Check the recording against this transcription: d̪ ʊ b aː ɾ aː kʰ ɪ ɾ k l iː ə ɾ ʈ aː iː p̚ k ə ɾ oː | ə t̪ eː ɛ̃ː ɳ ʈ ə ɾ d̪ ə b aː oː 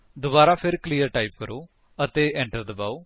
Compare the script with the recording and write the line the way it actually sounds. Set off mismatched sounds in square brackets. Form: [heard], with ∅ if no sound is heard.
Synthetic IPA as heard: d̪ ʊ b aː ɾ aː [pʰ] ɪ ɾ k l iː ə ɾ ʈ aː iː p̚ k ə ɾ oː | ə t̪ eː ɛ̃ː ɳ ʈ ə ɾ d̪ ə b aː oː